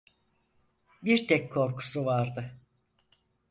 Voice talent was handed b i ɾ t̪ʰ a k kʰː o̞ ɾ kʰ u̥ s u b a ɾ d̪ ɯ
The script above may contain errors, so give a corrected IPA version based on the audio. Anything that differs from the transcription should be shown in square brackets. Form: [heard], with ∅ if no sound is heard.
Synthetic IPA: b i ɾ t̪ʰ [ɛ] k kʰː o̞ ɾ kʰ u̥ s u [v] a ɾ d̪ ɯ